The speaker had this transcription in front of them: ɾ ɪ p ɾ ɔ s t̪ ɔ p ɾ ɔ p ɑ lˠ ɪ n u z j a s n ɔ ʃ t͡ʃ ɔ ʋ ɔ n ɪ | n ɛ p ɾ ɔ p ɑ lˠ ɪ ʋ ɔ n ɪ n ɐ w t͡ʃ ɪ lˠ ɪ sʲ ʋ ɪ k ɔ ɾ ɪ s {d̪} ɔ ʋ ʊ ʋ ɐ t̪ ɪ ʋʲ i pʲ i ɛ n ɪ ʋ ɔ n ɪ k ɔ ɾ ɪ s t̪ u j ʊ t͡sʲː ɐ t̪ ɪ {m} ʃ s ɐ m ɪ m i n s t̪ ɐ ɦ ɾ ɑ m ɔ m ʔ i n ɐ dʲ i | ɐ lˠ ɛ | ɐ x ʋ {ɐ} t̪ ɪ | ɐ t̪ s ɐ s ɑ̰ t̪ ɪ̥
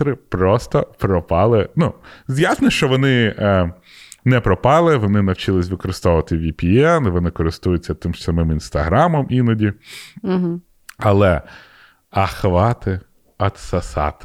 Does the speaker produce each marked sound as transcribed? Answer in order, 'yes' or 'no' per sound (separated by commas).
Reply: no, yes, no